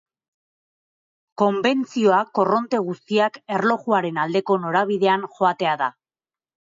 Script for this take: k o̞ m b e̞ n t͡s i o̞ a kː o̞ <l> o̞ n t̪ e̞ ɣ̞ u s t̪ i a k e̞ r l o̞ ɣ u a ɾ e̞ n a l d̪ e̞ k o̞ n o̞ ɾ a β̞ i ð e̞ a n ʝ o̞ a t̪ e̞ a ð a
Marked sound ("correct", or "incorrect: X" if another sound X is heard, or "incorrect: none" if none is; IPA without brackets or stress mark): incorrect: r